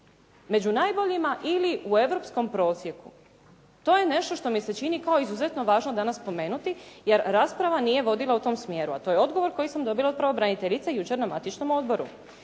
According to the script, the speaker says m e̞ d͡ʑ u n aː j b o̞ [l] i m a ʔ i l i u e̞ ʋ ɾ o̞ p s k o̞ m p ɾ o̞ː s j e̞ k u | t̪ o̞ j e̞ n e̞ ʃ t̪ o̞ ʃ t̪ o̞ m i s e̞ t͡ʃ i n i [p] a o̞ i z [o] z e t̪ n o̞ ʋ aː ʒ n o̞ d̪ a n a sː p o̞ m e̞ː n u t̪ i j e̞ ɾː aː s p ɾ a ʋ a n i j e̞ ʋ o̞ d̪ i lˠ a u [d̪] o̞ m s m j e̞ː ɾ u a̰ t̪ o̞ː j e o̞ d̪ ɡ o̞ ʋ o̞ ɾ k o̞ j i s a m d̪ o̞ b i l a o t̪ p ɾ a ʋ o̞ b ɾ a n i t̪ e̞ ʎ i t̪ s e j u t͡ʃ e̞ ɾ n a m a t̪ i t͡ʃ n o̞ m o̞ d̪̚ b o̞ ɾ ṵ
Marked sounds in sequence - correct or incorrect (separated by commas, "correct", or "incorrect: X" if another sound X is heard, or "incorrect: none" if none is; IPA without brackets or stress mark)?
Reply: incorrect: ʎ, incorrect: k, incorrect: u, incorrect: t̪